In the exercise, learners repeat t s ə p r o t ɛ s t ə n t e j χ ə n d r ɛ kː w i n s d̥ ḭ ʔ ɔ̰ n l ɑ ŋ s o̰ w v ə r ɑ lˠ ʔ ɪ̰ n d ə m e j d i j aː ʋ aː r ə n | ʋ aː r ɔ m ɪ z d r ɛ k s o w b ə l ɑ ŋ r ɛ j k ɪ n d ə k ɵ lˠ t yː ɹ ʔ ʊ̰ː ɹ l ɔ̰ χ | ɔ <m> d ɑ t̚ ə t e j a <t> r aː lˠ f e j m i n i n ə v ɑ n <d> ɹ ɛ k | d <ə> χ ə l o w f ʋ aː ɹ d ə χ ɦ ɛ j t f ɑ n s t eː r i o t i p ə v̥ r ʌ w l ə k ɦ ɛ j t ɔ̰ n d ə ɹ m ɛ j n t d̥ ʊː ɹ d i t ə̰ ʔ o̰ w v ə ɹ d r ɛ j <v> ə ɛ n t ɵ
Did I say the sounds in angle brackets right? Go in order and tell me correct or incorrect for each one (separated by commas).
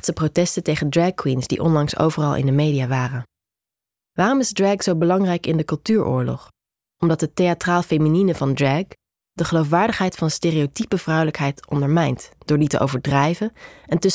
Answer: correct, correct, correct, correct, correct